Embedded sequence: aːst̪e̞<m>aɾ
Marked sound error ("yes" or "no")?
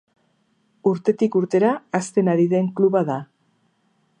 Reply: yes